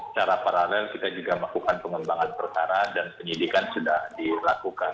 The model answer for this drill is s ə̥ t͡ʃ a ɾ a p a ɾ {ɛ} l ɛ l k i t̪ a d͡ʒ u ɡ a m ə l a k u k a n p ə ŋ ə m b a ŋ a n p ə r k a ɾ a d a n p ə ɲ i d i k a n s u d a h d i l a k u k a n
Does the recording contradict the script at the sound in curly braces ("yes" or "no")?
yes